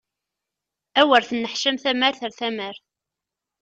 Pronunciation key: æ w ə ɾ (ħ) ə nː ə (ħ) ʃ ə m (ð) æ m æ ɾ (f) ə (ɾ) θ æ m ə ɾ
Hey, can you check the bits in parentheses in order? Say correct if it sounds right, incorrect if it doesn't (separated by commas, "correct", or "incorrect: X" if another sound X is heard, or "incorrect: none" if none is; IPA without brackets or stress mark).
incorrect: θ, correct, incorrect: θ, incorrect: θ, correct